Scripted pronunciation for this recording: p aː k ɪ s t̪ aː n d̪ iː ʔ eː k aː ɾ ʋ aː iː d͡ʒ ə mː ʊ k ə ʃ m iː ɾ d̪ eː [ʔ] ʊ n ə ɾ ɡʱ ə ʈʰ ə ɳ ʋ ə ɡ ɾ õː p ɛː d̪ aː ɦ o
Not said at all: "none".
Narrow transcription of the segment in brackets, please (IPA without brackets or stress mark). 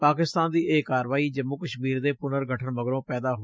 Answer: p